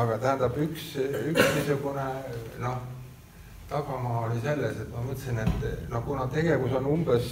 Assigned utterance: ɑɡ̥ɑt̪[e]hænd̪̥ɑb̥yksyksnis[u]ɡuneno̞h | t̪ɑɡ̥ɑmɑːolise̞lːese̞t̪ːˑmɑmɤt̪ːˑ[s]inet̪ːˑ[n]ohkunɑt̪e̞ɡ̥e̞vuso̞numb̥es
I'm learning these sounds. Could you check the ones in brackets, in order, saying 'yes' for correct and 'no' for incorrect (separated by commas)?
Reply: no, yes, yes, yes